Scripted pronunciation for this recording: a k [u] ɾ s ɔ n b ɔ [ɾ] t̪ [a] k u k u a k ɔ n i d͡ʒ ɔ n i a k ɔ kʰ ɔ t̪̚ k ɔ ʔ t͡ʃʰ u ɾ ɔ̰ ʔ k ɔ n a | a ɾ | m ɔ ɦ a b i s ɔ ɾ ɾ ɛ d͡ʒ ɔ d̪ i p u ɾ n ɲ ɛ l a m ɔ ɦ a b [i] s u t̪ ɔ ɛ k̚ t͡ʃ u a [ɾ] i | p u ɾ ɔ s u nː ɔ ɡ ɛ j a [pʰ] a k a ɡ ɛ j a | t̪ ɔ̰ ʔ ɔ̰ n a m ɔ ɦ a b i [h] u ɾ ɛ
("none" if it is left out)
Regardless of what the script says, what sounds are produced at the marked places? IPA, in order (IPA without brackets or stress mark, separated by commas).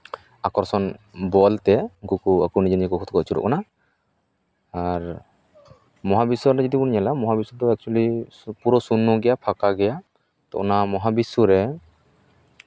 ɔ, l, ɛ, i, l, pʰ, s